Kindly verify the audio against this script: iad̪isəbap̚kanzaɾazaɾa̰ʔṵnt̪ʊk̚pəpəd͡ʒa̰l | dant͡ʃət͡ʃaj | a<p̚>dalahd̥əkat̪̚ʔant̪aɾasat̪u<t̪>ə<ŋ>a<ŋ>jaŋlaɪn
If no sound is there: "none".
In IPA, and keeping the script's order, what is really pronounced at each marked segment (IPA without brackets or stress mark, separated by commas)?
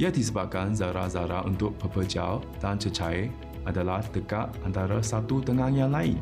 none, t̪, ŋ, ŋ